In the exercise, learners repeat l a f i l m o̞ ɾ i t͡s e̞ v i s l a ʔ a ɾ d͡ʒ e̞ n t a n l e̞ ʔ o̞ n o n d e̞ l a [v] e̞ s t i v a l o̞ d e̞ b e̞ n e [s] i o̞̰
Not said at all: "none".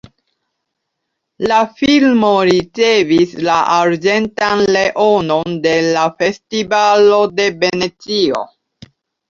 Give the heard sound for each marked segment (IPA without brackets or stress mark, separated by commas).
f, t͡s